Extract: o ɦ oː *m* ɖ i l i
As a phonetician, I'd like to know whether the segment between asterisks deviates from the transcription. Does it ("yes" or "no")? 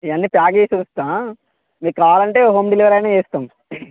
no